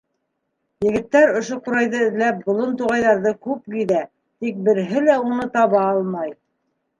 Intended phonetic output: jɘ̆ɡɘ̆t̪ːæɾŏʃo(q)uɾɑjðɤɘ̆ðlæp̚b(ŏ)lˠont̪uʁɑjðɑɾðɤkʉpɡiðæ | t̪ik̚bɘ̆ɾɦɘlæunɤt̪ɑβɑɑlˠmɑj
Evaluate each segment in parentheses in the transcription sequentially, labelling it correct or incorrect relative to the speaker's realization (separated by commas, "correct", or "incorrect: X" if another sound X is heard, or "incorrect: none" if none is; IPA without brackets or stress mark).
correct, correct